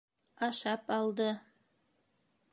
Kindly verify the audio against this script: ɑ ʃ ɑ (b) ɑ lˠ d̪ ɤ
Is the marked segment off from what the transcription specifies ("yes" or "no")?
yes